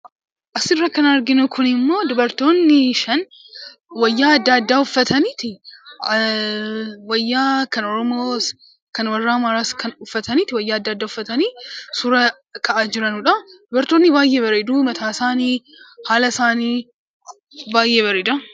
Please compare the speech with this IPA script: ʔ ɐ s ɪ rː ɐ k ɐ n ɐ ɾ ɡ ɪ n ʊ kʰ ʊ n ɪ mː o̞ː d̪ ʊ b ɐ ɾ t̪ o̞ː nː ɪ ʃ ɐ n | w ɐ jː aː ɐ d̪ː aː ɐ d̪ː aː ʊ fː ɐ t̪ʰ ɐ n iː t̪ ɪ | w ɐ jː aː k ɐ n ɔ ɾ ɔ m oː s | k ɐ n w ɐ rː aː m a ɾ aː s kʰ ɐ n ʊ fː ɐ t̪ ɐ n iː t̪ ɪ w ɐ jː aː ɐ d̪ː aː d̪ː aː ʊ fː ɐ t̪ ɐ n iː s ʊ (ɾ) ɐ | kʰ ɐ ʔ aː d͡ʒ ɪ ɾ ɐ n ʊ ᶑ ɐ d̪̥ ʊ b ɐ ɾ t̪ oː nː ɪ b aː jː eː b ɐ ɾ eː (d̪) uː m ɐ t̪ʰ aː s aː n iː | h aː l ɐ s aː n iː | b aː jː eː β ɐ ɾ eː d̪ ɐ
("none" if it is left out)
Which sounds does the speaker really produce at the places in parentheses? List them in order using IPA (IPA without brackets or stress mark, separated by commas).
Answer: ɾ, d̪